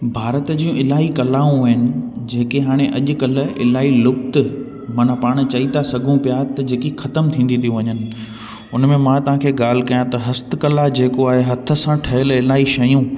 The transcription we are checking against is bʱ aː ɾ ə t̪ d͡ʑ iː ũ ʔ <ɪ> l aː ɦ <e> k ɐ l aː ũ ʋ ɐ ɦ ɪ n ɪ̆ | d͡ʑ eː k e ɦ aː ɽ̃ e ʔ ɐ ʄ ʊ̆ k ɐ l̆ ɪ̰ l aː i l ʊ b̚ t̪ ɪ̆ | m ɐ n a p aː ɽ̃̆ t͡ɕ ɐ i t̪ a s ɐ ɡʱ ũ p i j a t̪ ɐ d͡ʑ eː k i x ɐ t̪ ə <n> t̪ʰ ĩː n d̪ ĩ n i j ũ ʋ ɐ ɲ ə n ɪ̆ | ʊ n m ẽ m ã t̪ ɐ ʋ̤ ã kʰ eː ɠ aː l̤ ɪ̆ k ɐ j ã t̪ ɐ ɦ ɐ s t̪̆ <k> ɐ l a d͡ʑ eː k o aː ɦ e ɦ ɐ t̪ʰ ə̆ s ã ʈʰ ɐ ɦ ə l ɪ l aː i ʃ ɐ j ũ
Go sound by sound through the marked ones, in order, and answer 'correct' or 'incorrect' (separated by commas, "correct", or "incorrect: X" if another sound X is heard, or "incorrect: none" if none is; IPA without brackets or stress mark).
correct, incorrect: i, incorrect: m, correct